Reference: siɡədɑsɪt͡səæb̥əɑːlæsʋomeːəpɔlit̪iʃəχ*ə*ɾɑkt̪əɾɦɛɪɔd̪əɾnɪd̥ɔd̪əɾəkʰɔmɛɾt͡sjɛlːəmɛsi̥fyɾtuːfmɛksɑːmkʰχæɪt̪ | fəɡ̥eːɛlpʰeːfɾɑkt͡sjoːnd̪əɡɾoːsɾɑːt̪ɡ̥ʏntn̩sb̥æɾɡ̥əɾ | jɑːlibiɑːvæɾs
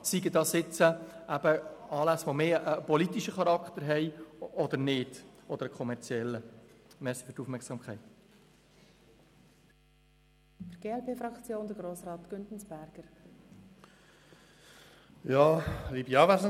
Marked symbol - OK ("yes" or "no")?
no